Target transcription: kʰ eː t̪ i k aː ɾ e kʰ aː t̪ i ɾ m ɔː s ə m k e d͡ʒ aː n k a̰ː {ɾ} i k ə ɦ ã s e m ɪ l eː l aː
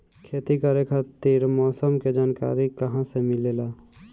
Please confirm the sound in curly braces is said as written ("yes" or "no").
yes